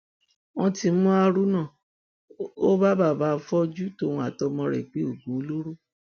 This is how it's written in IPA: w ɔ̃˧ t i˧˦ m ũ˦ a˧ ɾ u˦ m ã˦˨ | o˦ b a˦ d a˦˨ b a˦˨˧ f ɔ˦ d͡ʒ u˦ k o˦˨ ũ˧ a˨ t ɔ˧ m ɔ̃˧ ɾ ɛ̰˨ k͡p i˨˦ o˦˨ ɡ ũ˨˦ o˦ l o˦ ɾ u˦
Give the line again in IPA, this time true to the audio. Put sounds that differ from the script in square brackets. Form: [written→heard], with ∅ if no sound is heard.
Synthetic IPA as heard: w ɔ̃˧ t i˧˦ m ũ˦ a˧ ɾ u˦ [m→n] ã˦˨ | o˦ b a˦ [d→b] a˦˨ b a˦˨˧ f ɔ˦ d͡ʒ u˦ [k→t] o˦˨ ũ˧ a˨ t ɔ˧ m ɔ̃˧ ɾ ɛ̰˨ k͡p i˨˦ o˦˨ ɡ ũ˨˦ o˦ l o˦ ɾ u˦